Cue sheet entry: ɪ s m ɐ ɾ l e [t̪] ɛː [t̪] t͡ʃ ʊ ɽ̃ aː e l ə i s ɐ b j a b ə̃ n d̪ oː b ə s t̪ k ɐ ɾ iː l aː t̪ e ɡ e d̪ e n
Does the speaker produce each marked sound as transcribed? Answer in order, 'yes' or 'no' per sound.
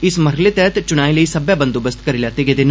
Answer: yes, yes

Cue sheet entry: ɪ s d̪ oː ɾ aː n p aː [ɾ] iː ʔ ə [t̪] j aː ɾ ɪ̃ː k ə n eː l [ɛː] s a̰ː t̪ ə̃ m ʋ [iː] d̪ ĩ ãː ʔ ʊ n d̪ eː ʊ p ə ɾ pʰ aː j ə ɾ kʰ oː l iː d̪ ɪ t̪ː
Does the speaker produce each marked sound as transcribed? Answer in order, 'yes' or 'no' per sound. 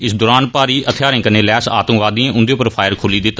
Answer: yes, no, yes, no

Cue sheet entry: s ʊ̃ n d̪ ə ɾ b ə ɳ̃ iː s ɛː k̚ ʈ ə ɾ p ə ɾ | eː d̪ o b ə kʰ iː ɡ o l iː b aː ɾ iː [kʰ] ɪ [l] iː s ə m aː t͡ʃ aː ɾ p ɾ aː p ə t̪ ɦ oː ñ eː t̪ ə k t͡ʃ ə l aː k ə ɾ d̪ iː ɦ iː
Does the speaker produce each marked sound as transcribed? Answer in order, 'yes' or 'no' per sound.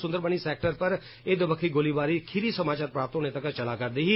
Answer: yes, no

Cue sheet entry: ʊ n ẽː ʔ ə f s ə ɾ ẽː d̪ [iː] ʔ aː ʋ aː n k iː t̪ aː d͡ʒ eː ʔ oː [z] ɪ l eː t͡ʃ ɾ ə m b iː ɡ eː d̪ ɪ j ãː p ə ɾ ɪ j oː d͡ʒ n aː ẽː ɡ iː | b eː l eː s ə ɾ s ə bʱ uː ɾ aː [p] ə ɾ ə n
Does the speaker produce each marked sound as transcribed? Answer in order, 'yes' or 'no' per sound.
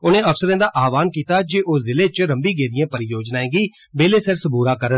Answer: no, yes, no

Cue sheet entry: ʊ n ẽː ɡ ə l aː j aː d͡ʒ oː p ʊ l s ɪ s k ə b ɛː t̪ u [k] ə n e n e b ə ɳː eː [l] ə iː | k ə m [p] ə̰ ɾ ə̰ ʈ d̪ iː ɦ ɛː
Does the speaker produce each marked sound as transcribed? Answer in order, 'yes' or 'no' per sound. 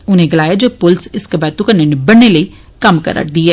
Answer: yes, yes, no

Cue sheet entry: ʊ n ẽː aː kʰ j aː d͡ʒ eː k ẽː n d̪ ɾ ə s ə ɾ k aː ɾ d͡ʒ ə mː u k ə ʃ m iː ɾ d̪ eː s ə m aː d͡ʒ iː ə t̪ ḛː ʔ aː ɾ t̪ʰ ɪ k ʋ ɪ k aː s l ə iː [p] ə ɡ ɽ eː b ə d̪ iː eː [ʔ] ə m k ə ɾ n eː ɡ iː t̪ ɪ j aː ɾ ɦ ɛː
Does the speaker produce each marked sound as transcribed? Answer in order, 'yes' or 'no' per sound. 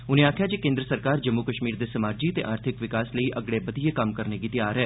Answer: no, no

